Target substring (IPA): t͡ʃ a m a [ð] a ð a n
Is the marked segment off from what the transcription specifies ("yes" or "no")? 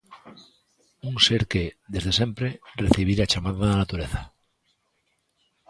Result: no